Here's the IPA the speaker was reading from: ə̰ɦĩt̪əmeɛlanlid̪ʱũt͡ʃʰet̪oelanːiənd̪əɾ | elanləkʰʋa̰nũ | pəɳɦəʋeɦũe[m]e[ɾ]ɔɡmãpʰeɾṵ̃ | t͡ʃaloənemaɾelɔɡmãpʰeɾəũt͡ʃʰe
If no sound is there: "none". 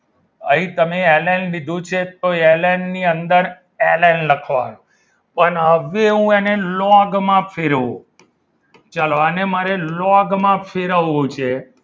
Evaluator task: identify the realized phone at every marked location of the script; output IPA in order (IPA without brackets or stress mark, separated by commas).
n, l